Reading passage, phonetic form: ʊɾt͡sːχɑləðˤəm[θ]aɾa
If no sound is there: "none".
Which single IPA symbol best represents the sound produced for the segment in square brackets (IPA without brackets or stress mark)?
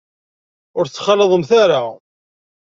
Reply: θ